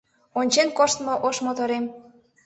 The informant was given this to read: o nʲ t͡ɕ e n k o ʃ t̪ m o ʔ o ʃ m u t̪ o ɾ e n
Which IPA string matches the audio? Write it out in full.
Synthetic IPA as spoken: o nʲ t͡ɕ e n k o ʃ t̪ m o ʔ o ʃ m o t̪ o ɾ e m